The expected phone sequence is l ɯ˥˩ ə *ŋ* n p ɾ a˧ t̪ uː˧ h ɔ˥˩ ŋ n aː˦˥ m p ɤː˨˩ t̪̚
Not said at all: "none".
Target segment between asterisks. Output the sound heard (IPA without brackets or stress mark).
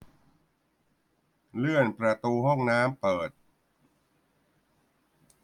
none